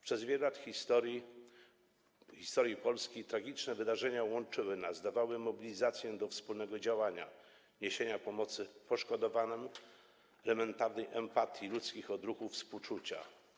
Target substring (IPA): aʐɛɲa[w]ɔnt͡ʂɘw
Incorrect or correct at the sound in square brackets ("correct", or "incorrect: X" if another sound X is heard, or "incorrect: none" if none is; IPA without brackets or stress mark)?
correct